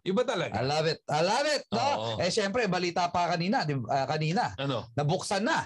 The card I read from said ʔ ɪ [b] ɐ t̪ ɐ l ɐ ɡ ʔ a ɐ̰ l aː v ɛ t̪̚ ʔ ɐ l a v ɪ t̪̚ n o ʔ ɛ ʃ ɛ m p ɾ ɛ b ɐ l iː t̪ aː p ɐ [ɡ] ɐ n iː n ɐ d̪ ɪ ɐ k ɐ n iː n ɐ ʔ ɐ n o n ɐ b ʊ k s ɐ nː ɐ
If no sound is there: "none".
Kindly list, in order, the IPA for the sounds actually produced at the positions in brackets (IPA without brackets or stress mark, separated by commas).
b, k